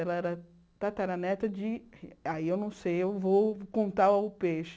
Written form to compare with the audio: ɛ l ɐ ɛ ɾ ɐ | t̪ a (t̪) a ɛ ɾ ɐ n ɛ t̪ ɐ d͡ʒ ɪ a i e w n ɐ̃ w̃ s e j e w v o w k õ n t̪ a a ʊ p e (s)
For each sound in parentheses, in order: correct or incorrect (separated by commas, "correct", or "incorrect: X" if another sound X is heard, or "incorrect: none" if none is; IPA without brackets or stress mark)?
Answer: correct, incorrect: ʃ